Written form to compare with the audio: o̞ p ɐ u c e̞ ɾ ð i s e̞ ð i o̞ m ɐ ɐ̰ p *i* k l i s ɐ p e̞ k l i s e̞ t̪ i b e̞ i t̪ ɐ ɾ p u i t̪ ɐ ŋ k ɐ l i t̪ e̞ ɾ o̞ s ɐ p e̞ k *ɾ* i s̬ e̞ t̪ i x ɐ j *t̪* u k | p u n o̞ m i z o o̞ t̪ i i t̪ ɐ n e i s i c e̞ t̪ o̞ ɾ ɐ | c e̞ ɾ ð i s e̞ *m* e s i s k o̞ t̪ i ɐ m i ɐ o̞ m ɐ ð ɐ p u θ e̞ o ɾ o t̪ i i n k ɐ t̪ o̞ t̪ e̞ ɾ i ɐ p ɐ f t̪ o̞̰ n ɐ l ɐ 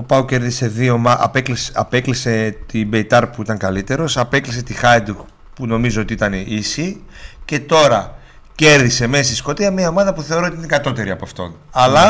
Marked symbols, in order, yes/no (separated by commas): no, no, no, yes